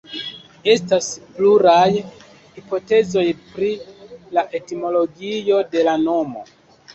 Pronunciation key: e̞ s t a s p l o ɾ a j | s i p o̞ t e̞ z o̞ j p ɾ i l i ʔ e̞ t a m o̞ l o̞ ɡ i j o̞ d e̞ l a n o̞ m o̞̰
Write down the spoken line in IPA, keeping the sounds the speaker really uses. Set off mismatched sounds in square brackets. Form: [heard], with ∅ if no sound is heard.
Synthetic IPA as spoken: e̞ s t a s p l [u] ɾ a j | [h] i p o̞ t e̞ z o̞ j p ɾ i l [a] ʔ e̞ t [i] m o̞ l o̞ ɡ i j o̞ d e̞ l a n o̞ m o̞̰

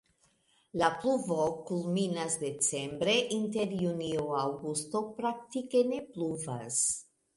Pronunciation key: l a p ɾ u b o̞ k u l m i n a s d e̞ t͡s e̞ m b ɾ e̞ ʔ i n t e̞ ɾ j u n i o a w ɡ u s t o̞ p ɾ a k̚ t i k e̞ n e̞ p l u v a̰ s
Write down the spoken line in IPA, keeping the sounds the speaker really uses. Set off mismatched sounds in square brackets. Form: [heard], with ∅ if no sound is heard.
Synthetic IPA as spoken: l a p [l] u [v] o̞ k u l m i n a s d e̞ t͡s e̞ m b ɾ e̞ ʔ i n t e̞ ɾ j u n i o a w ɡ u s t o̞ p ɾ a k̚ t i k e̞ n e̞ p l u v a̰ s

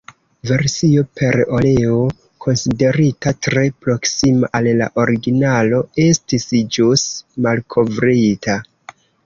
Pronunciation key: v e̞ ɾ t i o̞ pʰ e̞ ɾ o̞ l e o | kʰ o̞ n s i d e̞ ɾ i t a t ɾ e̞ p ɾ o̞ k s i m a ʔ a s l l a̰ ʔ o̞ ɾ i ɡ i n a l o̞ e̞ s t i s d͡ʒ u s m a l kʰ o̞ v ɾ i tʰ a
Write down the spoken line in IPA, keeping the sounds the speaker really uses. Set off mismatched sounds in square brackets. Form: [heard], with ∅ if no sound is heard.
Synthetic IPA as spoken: v e̞ ɾ [s] i o̞ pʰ e̞ ɾ o̞ l e o | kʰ o̞ n s i d e̞ ɾ i t a t ɾ e̞ p ɾ o̞ k s i m a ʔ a [∅] l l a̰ ʔ o̞ ɾ i ɡ i n a l o̞ e̞ s t i s d͡ʒ u s m a l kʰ o̞ v ɾ i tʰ a

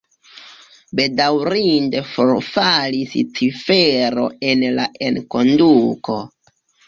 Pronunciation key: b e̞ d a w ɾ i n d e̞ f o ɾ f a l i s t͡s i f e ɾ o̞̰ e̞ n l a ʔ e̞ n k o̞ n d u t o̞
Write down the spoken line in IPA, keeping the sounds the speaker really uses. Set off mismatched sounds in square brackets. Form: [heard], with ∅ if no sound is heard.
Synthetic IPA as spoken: b e̞ d a w ɾ i n d e̞ f o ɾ f a l i s t͡s i f e ɾ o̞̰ e̞ n l a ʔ e̞ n k o̞ n d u [k] o̞

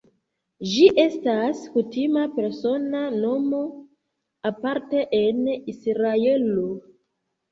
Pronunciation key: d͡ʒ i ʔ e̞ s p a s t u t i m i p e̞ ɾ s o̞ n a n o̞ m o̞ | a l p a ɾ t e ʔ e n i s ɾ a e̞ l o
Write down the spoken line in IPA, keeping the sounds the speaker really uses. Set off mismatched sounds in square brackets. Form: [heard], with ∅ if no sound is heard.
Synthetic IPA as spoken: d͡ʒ i ʔ e̞ s [t] a s [k] u t i m [a] p e̞ ɾ s o̞ n a n o̞ m o̞ | a [∅] p a ɾ t e ʔ e n i s ɾ a e̞ l o

